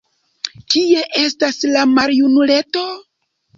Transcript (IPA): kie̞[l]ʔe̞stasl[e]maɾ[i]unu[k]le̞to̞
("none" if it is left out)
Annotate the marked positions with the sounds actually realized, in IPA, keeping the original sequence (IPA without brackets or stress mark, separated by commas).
none, a, j, none